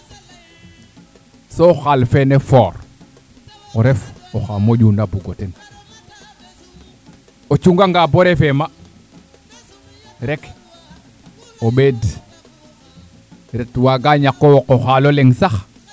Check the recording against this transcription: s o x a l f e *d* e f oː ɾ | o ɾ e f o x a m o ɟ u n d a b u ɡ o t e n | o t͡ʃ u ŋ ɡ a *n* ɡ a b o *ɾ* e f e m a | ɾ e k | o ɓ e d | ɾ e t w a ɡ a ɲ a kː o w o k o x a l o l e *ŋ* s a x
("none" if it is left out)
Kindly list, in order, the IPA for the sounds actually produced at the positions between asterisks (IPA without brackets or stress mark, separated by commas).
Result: n, ŋ, ɾ, ŋ